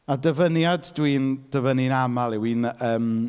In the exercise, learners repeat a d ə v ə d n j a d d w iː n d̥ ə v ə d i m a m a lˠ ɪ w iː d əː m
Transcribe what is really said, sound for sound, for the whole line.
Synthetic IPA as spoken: a d ə v ə n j a d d w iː n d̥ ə v ə n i n a m a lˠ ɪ w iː n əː m

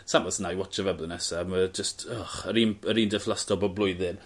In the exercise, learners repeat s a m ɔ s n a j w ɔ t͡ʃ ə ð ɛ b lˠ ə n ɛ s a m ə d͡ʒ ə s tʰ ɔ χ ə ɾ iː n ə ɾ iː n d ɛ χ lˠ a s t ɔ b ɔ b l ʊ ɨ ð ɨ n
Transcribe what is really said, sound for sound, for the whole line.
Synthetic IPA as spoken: s a m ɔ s n a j w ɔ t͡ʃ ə v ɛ b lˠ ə n ɛ s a m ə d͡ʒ ə s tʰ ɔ χ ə ɾ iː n ə ɾ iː n d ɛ f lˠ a s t ɔ b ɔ b l ʊ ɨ ð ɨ n

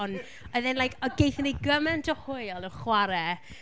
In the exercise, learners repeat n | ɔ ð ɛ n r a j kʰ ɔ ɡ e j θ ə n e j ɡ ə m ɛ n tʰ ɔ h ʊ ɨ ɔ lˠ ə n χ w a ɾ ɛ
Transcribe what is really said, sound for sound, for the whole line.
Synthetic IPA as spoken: n | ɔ ð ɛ n l a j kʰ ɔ ɡ e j θ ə n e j ɡ ə m ɛ n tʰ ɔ h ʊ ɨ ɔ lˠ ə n χ w a ɾ ɛ

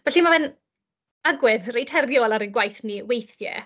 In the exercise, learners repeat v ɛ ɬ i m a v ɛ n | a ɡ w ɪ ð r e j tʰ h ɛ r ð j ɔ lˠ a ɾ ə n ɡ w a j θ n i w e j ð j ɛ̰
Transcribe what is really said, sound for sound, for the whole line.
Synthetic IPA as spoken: v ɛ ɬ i m a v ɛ n | a ɡ w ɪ ð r e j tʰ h ɛ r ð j ɔ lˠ a ɾ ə n ɡ w a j θ n i w e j θ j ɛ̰

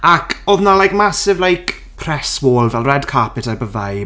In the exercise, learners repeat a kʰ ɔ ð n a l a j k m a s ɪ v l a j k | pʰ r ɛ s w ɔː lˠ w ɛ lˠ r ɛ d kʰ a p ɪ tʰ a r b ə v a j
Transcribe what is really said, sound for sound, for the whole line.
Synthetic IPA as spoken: a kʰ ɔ ð n a l a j k m a s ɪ v l a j k | pʰ r ɛ s w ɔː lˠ v ɛ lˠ r ɛ d kʰ a p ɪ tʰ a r b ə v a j

